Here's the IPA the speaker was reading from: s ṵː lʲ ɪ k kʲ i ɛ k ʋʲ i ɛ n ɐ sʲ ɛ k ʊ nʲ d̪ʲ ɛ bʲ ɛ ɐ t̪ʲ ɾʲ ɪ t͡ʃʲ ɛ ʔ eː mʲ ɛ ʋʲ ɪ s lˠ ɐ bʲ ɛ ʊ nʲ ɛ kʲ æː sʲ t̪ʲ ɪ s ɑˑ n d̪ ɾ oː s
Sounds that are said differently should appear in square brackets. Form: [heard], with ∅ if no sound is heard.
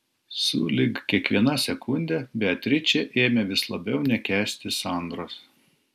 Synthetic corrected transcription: s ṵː lʲ ɪ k kʲ i ɛ k ʋʲ i ɛ n ɐ sʲ ɛ k ʊ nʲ d̪ʲ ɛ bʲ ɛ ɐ t̪ʲ ɾʲ ɪ t͡ʃʲ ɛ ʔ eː mʲ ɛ ʋʲ ɪ s lˠ ɐ bʲ ɛ ʊ nʲ ɛ kʲ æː sʲ t̪ʲ ɪ s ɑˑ n d̪ ɾ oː s